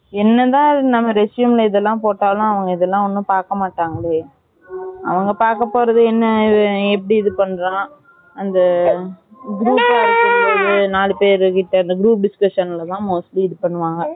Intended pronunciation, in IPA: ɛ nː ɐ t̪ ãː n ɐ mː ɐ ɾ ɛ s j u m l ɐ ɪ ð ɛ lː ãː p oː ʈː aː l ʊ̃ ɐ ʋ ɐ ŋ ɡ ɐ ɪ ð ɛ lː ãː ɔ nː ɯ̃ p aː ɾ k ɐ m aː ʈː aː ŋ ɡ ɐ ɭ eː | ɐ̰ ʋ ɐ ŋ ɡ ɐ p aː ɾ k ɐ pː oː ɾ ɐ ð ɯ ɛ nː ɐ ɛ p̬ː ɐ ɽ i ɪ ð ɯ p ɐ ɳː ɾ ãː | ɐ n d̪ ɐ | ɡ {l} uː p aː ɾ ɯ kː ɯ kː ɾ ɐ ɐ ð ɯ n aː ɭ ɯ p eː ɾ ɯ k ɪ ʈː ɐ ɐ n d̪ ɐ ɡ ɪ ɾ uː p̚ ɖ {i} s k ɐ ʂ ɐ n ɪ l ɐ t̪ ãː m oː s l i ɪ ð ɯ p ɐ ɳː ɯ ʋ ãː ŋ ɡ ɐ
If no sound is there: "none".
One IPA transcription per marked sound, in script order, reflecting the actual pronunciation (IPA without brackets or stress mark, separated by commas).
ɾ, ɪ